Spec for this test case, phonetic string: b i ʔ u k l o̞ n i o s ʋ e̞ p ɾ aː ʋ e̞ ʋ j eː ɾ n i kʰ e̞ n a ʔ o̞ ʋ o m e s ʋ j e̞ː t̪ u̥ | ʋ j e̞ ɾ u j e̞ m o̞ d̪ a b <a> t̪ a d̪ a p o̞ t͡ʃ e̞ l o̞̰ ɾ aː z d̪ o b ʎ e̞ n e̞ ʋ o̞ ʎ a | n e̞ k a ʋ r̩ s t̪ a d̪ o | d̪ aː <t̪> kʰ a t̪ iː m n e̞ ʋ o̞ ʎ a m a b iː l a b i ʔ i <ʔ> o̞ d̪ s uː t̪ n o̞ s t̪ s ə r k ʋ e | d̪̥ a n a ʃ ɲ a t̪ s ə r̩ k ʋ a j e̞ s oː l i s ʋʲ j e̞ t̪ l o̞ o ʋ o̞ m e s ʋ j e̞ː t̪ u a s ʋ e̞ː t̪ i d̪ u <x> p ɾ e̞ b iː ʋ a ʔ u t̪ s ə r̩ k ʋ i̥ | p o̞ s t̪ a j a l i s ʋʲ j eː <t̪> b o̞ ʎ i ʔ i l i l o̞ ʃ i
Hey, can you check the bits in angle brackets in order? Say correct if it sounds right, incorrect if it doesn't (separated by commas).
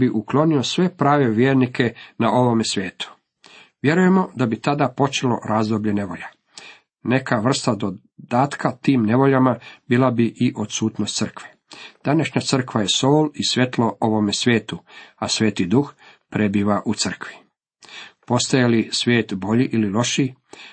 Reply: incorrect, correct, correct, correct, correct